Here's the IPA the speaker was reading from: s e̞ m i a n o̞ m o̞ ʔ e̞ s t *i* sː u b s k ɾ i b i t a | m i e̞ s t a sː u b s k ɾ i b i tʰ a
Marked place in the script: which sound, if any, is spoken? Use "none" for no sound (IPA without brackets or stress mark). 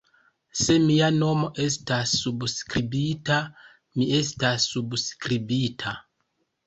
a